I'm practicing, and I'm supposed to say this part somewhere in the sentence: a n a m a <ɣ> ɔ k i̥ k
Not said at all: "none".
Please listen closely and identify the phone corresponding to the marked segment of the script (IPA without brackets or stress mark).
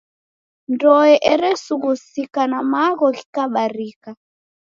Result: ɣ